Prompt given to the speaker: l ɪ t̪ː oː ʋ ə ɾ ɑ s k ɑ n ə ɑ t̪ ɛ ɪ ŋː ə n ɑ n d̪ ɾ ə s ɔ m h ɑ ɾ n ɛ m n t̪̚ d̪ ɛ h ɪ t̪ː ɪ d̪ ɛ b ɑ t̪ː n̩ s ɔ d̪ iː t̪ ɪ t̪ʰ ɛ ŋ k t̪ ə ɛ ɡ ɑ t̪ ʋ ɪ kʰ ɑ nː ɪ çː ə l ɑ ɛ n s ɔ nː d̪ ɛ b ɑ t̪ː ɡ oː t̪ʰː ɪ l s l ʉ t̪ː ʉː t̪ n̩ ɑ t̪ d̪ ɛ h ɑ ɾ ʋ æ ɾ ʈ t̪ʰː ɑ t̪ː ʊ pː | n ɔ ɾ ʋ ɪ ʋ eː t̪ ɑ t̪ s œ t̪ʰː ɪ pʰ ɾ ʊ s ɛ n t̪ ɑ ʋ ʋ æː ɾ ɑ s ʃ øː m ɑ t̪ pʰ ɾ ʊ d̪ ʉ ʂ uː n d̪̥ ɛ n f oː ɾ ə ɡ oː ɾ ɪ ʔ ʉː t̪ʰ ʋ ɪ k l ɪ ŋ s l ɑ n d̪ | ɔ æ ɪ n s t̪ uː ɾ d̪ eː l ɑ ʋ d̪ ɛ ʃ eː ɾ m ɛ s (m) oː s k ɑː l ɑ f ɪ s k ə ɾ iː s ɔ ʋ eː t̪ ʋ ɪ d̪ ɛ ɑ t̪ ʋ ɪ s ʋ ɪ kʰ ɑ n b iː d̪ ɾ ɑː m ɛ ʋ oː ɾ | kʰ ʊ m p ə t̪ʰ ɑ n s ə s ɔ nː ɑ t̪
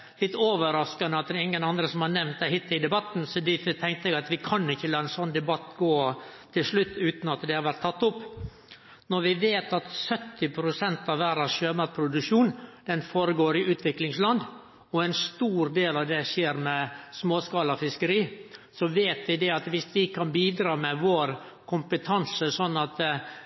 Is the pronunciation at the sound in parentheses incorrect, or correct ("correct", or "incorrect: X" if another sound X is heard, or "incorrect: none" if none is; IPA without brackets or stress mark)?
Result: correct